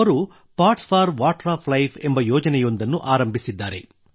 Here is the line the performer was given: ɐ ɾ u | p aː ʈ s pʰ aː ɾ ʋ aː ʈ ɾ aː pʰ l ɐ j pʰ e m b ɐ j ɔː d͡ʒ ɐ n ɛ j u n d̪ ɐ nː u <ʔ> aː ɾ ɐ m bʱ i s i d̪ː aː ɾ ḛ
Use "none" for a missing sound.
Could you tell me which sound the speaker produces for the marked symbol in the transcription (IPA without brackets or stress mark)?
ʔ